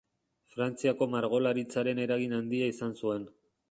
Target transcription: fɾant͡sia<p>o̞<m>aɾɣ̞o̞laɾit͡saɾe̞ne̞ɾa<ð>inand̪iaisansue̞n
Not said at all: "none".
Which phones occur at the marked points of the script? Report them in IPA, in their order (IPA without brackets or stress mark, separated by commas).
k, m, ɣ